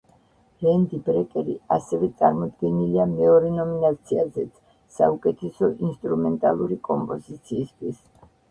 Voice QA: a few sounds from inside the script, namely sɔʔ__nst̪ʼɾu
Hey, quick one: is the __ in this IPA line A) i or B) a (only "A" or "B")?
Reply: A